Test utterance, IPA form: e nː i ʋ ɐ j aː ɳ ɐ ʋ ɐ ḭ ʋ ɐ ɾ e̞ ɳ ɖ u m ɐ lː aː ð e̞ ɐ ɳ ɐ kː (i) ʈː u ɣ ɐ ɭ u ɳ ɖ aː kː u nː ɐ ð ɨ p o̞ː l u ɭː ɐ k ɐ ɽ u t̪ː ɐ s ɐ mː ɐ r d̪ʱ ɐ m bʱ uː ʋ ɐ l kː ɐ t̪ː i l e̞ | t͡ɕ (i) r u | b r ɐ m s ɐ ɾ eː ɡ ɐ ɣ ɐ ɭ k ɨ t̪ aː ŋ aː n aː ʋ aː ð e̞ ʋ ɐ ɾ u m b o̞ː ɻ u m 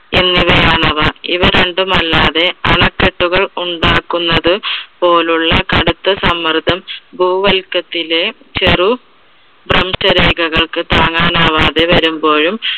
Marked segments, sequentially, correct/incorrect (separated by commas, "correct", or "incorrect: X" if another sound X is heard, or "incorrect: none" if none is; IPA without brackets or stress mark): incorrect: e, incorrect: e